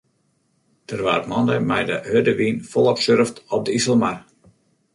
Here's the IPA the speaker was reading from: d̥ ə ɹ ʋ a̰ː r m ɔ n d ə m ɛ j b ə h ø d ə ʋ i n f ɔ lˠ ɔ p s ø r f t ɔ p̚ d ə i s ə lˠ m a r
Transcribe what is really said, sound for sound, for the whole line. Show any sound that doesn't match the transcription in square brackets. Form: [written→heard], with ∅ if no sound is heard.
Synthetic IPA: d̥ ə [ɹ→r] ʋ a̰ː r m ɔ n d ə m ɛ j [b→d] ə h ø d ə ʋ i n f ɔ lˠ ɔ p s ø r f t ɔ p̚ d ə i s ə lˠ m a r